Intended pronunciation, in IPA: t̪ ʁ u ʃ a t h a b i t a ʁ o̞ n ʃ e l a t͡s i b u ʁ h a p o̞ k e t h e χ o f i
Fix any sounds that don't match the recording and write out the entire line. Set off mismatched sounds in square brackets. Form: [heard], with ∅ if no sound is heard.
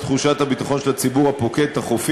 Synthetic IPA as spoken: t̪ [χ] u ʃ a t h a b i t a [χ] o̞ n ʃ e l a t͡s i b u ʁ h a p o̞ k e t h [a] χ o f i